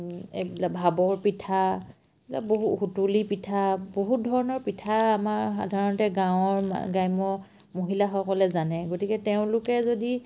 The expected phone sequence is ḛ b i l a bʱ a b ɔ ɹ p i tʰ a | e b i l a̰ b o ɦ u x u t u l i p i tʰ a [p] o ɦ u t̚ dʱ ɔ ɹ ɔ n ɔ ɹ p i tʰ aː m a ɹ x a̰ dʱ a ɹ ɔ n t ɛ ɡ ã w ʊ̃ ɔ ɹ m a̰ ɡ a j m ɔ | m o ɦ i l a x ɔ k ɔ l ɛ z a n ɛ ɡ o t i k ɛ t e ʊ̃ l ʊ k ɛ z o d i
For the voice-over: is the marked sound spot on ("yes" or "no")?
no